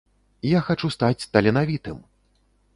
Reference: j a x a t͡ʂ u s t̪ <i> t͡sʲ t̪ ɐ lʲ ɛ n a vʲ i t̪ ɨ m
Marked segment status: incorrect: a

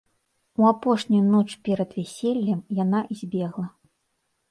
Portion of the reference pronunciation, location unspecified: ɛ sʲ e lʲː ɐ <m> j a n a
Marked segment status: correct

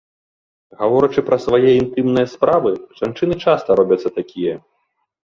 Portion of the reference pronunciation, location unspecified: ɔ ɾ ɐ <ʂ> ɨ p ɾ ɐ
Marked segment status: incorrect: t͡ʂ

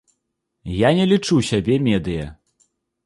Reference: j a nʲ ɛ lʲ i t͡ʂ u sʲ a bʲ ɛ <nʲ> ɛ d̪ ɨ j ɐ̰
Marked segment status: incorrect: mʲ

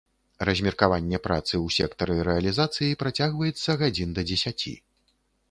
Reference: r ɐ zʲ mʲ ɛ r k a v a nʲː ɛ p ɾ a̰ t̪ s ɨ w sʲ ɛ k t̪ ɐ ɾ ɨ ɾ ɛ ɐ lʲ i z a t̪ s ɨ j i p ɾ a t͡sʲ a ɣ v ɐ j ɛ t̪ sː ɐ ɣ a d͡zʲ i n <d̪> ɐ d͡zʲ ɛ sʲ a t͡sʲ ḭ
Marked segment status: correct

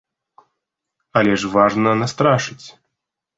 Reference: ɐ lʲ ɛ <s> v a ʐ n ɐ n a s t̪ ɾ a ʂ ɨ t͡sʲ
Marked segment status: incorrect: ʂ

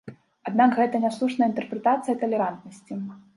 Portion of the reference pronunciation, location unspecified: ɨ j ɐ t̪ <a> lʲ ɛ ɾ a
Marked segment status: incorrect: ɐ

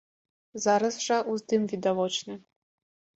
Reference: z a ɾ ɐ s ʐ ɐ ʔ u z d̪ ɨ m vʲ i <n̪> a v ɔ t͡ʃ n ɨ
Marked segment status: incorrect: d̪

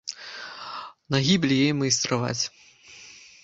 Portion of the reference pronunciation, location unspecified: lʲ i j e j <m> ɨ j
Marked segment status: correct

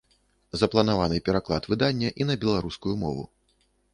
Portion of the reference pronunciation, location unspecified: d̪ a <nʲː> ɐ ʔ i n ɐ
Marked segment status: correct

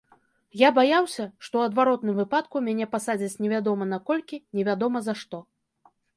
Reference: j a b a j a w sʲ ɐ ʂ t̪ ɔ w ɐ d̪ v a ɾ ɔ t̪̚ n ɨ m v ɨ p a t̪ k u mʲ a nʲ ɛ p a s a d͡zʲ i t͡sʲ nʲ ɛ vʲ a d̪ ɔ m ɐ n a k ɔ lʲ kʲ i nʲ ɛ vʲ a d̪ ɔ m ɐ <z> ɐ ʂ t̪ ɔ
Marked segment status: correct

